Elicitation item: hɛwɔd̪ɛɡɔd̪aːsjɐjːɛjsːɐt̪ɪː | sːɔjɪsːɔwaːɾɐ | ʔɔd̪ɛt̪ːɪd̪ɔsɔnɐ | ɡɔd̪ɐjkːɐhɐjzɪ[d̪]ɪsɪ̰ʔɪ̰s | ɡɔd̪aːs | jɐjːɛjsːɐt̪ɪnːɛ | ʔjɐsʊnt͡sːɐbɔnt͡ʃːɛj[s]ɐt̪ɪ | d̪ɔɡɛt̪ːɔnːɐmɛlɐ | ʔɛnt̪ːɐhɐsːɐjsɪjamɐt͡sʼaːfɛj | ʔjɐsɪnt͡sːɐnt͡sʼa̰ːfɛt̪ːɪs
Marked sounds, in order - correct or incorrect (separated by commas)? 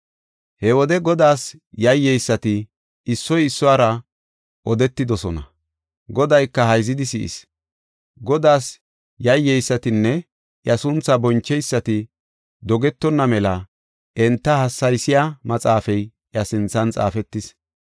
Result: correct, incorrect